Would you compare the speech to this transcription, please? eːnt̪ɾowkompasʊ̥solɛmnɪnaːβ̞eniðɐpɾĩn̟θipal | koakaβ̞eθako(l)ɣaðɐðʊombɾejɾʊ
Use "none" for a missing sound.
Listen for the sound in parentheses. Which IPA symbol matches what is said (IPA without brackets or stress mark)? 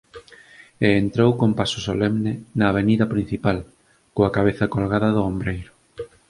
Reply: l